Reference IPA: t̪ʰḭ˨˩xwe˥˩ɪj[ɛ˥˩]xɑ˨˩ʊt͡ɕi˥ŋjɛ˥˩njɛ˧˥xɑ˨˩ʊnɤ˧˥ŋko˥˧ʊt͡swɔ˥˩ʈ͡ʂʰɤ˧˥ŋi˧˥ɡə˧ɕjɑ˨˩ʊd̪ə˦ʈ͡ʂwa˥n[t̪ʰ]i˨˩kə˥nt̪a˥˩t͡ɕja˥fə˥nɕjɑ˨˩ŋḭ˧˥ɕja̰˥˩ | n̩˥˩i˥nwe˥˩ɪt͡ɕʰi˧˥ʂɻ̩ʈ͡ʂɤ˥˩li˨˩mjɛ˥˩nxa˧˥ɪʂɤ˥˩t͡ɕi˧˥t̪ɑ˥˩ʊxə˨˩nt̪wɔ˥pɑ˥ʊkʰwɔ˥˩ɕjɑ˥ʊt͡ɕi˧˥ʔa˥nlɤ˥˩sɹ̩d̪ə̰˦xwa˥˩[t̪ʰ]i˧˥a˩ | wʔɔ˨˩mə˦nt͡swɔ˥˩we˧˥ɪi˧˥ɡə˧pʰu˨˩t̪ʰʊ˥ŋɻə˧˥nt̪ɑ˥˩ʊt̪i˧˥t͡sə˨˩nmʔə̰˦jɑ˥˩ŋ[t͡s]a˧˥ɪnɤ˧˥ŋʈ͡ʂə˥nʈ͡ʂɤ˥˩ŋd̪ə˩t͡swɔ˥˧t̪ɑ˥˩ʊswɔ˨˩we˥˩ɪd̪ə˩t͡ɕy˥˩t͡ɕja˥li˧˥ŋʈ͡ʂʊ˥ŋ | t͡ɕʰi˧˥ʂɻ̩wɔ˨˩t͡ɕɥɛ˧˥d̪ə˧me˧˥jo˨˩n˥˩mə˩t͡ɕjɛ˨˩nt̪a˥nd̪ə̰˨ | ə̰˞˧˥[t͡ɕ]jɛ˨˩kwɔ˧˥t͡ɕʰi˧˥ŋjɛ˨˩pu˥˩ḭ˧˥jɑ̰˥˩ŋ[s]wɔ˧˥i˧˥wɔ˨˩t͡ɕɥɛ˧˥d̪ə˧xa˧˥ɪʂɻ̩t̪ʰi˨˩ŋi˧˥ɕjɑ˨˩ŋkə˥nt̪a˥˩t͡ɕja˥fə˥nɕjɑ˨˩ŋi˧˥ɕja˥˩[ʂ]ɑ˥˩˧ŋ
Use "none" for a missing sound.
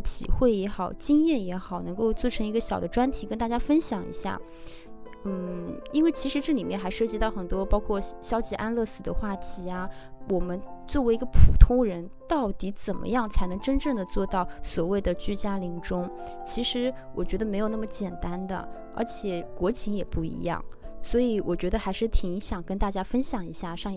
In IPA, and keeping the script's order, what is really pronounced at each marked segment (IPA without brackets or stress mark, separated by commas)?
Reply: ɛ˧˥, t̪ʰ, t̪ʰ, t͡sʰ, t͡ɕʰ, s, ʂ